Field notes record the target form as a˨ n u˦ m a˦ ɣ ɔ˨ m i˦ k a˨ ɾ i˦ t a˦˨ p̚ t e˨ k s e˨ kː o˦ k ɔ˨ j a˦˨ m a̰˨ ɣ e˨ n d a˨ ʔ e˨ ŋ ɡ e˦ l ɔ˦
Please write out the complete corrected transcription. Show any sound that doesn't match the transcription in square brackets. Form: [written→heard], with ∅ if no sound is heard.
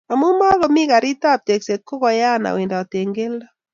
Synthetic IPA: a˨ [n→m] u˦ m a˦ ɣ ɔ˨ m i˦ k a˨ ɾ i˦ t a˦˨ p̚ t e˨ k s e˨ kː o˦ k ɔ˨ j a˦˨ [m→n] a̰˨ [ɣ→w] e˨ n d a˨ [ʔ→t] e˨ ŋ ɡ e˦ l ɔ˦